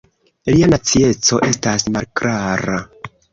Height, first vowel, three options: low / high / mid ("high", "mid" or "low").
high